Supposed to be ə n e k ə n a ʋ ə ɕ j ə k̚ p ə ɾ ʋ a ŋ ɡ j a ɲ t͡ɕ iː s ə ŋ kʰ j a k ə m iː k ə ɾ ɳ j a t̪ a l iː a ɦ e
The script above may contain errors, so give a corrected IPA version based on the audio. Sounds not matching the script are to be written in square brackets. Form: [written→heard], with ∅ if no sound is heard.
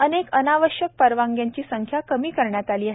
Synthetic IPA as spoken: ə n e k ə n a ʋ ə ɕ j ə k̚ p ə ɾ ʋ a ŋ ɡ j a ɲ t͡ɕ iː s ə ŋ kʰ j a k ə m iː k ə ɾ ɳ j a t̪ a l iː a ɦ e